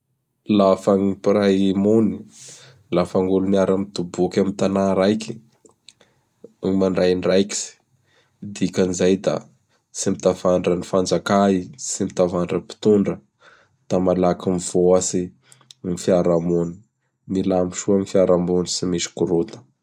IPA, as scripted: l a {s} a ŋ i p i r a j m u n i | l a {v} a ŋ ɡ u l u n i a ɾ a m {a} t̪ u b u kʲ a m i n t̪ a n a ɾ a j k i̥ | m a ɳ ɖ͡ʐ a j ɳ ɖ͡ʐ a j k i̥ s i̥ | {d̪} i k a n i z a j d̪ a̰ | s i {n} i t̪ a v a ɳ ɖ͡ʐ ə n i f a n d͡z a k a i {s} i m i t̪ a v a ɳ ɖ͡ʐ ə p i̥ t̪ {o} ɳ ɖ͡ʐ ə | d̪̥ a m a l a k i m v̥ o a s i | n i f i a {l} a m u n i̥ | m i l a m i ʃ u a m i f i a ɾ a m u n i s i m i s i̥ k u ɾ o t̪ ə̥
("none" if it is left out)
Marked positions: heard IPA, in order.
f, f, i, d̪, m, s, u, ɾ

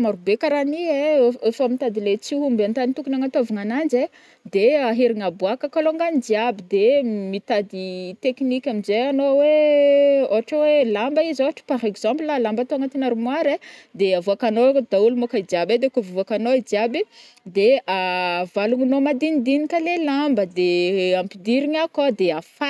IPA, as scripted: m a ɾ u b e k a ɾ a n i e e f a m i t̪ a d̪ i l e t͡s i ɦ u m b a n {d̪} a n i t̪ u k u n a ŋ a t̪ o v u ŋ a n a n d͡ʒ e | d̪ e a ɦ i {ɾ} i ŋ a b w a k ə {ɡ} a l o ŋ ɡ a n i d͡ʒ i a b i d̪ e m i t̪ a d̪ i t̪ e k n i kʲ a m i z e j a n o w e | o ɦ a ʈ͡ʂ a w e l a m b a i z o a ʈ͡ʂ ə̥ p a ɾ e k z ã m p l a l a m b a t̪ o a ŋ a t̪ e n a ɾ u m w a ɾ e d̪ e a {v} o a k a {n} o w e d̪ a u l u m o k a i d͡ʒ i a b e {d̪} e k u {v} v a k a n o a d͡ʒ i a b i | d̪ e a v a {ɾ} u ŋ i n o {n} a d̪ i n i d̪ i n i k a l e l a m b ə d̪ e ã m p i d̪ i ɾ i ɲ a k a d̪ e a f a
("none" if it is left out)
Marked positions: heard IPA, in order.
t̪, ɾ, k, v, n, d̪, v, l, m

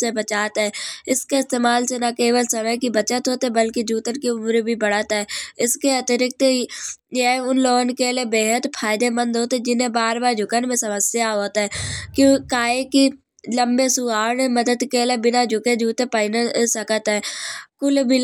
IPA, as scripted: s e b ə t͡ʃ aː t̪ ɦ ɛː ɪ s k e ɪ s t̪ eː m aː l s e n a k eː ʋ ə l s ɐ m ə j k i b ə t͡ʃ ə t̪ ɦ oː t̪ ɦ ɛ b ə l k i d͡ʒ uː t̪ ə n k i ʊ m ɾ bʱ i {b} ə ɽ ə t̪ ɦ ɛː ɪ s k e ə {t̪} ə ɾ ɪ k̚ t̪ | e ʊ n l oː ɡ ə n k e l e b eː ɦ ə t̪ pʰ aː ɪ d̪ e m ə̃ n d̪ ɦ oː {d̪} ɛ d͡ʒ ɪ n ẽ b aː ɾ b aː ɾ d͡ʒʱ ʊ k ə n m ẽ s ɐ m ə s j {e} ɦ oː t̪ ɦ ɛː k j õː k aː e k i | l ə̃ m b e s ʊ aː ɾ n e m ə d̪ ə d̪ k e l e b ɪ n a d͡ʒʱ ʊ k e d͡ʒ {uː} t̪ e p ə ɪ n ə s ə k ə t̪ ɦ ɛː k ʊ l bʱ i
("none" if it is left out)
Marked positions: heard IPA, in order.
b, t̪, t̪, a, uː

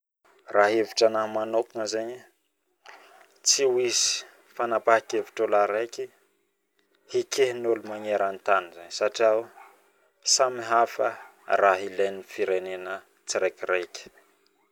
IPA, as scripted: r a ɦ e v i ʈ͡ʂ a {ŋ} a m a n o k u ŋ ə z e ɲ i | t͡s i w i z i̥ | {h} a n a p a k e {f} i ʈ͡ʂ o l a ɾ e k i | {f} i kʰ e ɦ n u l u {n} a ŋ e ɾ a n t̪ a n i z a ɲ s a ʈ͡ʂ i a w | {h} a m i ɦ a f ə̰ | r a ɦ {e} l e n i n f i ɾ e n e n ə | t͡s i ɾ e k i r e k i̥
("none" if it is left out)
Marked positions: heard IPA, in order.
n, f, v, h, m, s, i

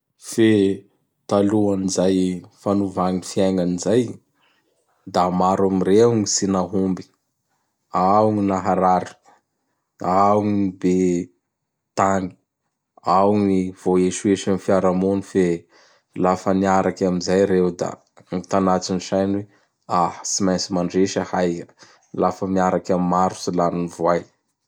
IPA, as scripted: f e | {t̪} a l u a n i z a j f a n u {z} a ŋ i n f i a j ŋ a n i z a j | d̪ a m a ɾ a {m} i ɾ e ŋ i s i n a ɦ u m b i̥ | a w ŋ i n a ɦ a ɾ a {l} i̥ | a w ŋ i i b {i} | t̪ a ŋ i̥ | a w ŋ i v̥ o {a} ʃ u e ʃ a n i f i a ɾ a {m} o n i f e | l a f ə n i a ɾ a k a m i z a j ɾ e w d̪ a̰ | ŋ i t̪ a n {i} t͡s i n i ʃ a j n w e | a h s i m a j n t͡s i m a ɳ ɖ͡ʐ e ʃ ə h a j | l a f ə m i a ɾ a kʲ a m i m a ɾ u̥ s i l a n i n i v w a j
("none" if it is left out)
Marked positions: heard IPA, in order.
t̪, v, m, ɾ, e, e, m, a

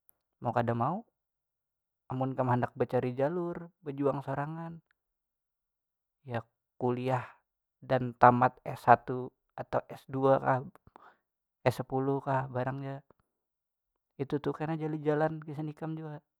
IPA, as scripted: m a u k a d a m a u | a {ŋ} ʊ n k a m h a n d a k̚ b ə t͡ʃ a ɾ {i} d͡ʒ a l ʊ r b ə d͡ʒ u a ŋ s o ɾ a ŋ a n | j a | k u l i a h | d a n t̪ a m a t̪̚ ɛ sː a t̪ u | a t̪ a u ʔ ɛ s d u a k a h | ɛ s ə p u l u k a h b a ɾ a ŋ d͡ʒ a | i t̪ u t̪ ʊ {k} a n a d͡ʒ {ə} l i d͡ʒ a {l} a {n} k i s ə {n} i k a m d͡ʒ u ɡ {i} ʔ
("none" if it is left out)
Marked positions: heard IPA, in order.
m, i, k, a, l, n, n, a

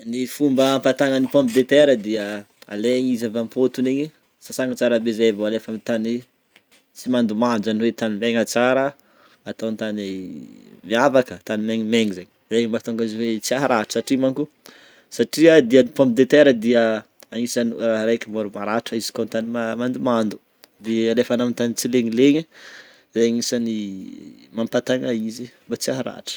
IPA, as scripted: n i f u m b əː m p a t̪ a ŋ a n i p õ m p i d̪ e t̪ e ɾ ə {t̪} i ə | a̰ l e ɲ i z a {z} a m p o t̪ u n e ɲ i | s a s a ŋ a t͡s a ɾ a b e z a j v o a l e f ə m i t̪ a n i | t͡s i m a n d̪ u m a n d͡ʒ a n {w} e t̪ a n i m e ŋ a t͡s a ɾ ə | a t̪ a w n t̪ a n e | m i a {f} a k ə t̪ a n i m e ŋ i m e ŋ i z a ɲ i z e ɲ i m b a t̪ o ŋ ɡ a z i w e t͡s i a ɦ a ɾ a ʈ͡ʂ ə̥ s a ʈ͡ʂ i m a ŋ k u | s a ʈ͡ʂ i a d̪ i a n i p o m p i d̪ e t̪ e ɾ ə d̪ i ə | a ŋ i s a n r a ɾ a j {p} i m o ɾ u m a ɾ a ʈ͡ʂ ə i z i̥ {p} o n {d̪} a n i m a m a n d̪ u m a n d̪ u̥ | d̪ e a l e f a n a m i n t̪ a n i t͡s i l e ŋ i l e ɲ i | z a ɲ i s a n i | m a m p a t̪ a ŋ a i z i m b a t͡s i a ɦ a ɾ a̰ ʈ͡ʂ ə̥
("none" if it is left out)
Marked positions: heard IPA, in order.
d̪, v, w, v, k, k, t̪

